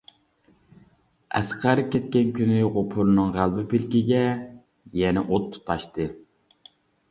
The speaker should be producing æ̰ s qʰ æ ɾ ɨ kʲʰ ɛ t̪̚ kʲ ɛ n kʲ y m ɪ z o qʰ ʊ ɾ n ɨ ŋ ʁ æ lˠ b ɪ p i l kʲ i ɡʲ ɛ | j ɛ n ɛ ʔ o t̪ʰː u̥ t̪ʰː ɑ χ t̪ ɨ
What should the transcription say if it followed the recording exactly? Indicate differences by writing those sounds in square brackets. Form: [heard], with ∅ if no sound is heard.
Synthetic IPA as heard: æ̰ s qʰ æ ɾ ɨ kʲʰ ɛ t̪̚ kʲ ɛ n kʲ y [n] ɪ [ʁ] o [pʰ] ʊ ɾ n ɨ ŋ ʁ æ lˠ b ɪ p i l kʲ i ɡʲ ɛ | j ɛ n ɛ ʔ o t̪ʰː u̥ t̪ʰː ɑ [ʃ] t̪ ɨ